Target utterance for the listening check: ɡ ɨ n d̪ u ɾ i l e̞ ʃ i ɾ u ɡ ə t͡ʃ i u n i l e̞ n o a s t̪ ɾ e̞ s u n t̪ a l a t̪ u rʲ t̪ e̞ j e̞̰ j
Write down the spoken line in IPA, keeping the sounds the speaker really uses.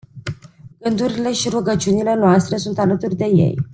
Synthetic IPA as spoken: ɡ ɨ n d̪ u ɾ i l e̞ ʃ i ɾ u ɡ ə t͡ʃ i u n i l e̞ n o a s t̪ ɾ e̞ s u n t̪ a l ə t̪ u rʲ d̪ e̞ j e̞̰ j